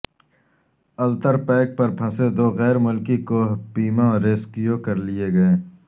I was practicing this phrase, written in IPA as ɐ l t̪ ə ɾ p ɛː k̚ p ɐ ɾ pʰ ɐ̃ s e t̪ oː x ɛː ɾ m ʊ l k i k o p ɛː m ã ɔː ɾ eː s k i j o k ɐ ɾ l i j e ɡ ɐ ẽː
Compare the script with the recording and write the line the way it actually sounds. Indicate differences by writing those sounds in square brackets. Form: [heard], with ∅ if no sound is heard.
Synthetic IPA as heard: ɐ l t̪ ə ɾ p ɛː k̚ p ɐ ɾ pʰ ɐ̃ s e [d̪] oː [ɣ] ɛː ɾ m ʊ l k i k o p [iː] m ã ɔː ɾ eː s k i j o k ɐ ɾ l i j e ɡ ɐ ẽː